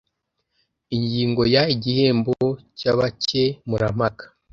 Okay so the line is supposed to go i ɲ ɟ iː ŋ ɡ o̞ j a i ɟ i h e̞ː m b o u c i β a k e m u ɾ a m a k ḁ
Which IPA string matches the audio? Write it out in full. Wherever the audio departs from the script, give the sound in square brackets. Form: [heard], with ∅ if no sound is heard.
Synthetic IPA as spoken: i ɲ ɟ iː ŋ ɡ o̞ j a i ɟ i h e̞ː m b o [o] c [a] β a [c] e m u ɾ a m a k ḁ